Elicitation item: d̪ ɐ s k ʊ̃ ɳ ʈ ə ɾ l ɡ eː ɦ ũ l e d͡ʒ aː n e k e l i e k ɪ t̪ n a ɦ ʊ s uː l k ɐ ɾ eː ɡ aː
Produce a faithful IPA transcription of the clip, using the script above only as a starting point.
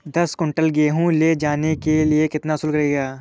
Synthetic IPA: d̪ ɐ s k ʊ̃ ɳ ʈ ə l ɡ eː ɦ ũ l e d͡ʒ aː n e k e l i e k ɪ t̪ n a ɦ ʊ s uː l k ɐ ɾ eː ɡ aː